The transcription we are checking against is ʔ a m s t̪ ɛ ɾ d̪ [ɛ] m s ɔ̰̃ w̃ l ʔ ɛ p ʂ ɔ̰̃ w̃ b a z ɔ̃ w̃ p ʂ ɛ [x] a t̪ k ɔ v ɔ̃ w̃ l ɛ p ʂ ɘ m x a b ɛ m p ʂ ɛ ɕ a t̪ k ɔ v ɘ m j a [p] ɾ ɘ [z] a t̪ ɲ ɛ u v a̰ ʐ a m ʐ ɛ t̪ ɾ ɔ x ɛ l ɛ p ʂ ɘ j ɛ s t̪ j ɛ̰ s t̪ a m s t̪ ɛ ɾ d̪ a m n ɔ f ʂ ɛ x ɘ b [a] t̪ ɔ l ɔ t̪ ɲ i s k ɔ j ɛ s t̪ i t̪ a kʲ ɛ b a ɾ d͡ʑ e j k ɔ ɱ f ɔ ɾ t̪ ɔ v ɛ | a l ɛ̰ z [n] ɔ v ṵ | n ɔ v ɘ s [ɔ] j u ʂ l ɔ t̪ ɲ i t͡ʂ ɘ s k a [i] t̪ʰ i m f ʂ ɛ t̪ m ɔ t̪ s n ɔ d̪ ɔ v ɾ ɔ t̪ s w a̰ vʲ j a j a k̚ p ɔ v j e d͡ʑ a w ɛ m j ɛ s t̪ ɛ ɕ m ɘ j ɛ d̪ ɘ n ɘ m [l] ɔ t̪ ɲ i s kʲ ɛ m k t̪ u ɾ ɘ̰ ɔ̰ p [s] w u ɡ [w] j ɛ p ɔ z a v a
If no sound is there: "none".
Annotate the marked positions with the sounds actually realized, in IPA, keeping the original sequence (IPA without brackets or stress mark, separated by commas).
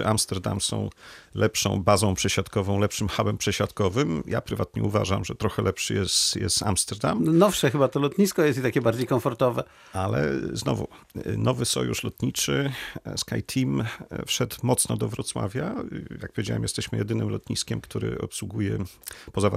a, ɕ, p, v, a, n, ɔ, j, l, s, u